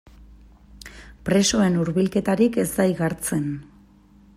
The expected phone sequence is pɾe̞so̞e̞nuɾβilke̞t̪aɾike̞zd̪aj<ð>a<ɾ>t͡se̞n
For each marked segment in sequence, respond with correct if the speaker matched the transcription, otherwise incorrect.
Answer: incorrect, correct

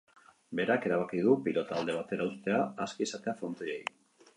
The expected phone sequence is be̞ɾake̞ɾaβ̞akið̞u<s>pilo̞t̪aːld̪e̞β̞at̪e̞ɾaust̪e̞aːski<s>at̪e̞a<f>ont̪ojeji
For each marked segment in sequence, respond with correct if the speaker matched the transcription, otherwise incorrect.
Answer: incorrect, correct, correct

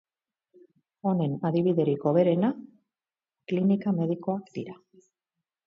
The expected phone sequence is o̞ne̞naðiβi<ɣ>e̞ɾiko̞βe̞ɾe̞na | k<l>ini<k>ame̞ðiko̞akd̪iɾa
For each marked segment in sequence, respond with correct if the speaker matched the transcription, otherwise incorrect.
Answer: incorrect, correct, correct

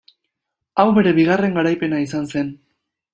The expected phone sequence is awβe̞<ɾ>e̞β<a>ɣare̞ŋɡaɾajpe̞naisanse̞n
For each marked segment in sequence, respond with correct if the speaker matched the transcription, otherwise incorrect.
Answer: correct, incorrect

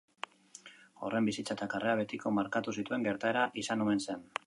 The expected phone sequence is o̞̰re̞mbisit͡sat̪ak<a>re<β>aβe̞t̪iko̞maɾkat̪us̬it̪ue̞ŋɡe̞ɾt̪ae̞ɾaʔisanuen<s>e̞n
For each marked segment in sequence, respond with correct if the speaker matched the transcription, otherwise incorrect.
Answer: correct, incorrect, correct

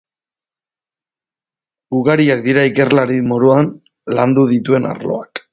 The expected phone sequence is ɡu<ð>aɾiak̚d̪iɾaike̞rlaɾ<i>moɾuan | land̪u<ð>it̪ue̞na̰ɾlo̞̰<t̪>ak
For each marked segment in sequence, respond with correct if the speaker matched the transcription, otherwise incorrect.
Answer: incorrect, correct, correct, incorrect

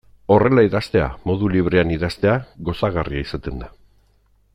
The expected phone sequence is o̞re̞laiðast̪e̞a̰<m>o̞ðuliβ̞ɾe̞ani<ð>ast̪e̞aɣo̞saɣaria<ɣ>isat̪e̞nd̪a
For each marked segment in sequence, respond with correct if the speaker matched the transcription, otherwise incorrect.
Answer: correct, correct, incorrect

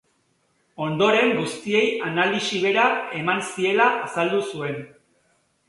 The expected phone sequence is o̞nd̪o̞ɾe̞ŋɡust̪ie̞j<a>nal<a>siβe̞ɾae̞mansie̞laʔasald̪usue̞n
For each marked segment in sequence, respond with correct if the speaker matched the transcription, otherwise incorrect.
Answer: correct, incorrect

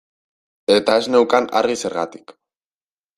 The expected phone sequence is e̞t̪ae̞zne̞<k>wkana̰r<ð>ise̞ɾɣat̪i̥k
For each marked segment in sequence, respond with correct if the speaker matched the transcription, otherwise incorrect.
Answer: incorrect, incorrect

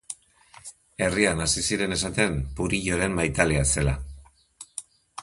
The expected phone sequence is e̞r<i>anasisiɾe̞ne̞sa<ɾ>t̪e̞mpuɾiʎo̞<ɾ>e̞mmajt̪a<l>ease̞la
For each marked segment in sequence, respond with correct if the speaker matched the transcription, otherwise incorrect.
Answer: correct, incorrect, correct, correct

